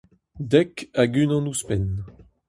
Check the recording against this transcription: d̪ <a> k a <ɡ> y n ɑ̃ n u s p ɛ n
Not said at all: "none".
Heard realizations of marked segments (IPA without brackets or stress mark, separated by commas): ɛ, ɡ